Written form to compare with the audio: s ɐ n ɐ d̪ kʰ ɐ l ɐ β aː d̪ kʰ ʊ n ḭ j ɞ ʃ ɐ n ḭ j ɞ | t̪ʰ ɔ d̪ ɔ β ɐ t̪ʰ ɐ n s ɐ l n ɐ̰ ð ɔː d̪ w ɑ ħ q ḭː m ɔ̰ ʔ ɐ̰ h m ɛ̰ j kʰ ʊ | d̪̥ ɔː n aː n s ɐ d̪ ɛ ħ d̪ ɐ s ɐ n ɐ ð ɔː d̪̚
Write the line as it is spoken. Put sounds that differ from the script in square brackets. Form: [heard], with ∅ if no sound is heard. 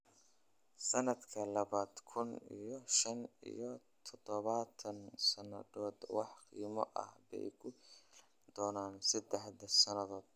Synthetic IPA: s ɐ n ɐ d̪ kʰ ɐ l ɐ β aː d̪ kʰ ʊ n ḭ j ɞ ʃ ɐ n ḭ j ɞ | t̪ʰ ɔ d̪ ɔ β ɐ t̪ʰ ɐ n s ɐ [∅] n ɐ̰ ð ɔː d̪ w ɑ ħ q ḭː m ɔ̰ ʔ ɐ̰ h [b] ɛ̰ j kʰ ʊ | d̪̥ ɔː n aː n s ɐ d̪ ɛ ħ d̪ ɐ s ɐ n ɐ ð ɔː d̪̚